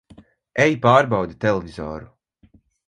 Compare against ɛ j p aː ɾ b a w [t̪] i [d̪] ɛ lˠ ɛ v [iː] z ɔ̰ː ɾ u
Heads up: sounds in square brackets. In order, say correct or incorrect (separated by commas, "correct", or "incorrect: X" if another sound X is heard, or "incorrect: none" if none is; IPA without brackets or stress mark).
incorrect: d̪, incorrect: t̪, incorrect: i